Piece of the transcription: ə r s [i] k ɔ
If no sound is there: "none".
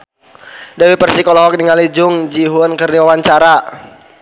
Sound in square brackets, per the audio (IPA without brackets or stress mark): i